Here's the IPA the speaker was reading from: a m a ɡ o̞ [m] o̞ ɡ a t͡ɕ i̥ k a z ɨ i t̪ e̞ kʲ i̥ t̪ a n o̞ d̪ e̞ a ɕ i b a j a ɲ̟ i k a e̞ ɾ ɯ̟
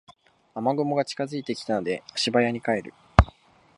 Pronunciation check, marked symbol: correct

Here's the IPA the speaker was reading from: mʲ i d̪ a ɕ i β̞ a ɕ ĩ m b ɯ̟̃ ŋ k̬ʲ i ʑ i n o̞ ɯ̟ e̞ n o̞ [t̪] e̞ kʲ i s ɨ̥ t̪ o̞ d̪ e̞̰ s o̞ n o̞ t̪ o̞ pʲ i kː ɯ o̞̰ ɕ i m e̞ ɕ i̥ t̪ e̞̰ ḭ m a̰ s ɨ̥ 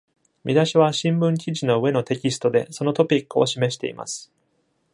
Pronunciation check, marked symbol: correct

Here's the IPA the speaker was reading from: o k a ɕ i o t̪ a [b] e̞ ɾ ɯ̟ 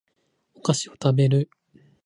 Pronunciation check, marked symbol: correct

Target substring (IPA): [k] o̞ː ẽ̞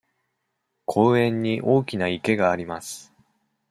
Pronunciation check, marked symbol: incorrect: kʰ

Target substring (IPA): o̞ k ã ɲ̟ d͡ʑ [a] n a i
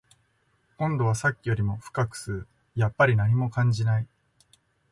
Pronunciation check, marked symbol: incorrect: i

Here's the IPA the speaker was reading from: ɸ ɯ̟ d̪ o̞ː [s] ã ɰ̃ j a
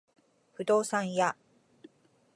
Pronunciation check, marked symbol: correct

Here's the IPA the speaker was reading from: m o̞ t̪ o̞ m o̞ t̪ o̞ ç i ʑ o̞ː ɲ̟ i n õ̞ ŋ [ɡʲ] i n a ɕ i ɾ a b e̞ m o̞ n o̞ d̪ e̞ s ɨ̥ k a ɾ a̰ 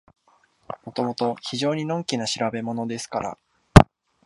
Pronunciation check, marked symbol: incorrect: kʲ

